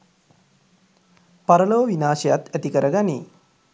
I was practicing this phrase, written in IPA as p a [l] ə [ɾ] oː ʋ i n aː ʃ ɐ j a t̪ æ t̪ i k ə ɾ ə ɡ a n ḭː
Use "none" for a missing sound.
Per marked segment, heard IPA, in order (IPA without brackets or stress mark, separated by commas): ɾ, l